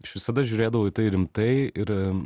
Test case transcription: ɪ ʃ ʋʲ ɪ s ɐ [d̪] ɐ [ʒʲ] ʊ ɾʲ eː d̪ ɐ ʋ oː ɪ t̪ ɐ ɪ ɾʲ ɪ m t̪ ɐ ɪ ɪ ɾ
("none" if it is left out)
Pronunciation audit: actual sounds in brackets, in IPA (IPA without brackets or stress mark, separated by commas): d̪, ʒʲ